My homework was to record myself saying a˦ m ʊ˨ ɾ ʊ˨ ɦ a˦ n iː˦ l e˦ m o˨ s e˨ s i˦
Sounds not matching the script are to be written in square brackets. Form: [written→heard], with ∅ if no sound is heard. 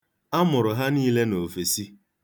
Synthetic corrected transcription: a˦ m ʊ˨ ɾ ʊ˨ ɦ a˦ n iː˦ l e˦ [m→n] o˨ [s→f] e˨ s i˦